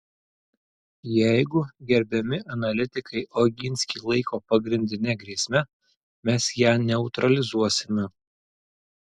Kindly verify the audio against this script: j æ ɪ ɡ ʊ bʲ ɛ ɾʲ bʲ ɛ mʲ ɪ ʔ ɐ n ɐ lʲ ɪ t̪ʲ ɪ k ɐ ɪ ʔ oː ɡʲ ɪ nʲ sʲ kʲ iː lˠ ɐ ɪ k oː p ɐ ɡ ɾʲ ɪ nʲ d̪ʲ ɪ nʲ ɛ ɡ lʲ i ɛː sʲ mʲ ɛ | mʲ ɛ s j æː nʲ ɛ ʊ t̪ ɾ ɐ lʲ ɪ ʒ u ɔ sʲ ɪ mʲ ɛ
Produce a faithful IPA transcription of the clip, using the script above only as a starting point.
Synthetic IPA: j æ ɪ ɡ ʊ ɡʲ ɛ ɾʲ bʲ ɛ mʲ ɪ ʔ ɐ n ɐ lʲ ɪ t̪ʲ ɪ k ɐ ɪ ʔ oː ɡʲ ɪ nʲ sʲ kʲ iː lˠ ɐ ɪ k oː p ɐ ɡ ɾʲ ɪ nʲ d̪ʲ ɪ nʲ ɛ ɡ ɾʲ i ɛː sʲ mʲ ɛ | mʲ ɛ s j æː nʲ ɛ ʊ t̪ ɾ ɐ lʲ ɪ z u ɔ sʲ ɪ mʲ ɛ